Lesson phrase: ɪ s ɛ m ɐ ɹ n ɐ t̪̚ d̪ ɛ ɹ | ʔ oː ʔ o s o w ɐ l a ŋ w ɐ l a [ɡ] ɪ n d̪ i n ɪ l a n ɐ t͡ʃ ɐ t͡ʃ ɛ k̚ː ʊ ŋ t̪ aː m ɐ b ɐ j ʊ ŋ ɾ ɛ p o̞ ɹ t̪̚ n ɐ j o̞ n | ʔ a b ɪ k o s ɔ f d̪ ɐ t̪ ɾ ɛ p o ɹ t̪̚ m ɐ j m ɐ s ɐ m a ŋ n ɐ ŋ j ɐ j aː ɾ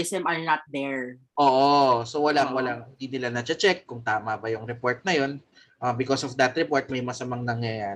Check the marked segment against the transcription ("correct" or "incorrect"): incorrect